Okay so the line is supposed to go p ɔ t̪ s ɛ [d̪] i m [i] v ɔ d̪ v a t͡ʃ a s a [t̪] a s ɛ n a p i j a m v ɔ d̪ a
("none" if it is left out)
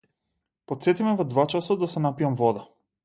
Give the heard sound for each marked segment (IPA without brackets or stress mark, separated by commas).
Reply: t̪, ɛ, d̪